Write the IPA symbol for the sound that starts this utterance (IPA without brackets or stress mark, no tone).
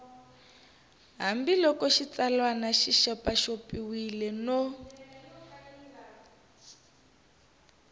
ɦ